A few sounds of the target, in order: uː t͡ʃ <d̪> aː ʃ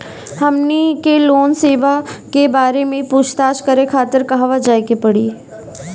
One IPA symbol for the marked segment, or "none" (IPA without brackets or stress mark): t̪